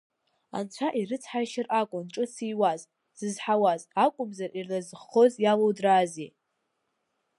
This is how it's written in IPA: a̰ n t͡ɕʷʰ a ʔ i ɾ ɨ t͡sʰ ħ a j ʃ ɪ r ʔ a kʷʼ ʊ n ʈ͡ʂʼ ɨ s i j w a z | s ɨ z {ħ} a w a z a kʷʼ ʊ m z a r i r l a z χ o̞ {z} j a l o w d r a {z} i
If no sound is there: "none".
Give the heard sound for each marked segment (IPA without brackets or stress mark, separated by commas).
ħ, z, z